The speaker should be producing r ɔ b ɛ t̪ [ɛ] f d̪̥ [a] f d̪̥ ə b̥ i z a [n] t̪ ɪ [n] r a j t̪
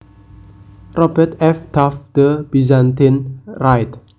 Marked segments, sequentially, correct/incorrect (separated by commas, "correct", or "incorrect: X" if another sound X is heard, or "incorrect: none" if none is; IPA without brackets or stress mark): correct, correct, correct, correct